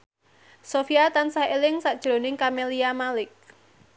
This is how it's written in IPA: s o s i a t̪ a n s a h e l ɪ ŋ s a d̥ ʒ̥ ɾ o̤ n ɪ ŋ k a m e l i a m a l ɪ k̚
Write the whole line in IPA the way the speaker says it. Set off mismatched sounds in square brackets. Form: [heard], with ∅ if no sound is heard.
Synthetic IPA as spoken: s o [f] i a t̪ a n s a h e l ɪ ŋ s a d̥ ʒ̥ ɾ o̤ n ɪ ŋ k a m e l i a m a l ɪ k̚